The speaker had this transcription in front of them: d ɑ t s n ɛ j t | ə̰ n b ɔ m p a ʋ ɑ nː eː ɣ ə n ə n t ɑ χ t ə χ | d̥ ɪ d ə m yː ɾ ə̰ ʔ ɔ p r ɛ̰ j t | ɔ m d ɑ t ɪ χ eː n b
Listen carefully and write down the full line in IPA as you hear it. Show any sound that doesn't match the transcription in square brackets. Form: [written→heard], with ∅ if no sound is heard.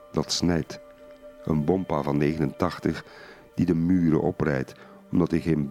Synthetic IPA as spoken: d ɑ t s n ɛ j t | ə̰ n b ɔ m p a [ʋ→v] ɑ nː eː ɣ ə n ə n t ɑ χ t ə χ | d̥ [ɪ→i] d ə m yː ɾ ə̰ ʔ ɔ p r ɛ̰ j t | ɔ m d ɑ t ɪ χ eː n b